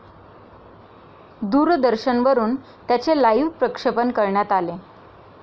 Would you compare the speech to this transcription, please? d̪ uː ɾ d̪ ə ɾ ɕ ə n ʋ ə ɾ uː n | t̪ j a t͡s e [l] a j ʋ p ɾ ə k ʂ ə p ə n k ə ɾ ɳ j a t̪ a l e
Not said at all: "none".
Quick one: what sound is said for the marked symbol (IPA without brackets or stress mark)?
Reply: l